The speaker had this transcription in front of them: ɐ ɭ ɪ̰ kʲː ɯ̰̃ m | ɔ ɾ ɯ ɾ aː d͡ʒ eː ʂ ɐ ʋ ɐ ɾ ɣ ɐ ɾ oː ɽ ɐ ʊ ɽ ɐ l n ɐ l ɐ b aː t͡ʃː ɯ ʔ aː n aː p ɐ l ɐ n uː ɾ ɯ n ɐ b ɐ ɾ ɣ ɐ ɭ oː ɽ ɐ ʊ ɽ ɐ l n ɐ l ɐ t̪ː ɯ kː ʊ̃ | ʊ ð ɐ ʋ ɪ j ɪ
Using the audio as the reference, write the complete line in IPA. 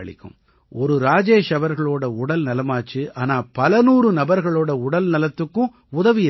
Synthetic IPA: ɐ ɭ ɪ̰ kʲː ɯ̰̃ m | ɔ ɾ ɯ ɾ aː d͡ʒ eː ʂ ɐ ʋ ɐ ɾ ɣ ɐ ɭ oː ɽ ɐ ʊ ɽ ɐ l n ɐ l ɐ m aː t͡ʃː ɯ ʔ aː n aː p ɐ l ɐ n uː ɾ ɯ n ɐ b ɐ ɾ ɣ ɐ ɭ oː ɽ ɐ ʊ ɽ ɐ l n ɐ l ɐ t̪ː ɯ kː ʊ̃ | ʊ ð ɐ ʋ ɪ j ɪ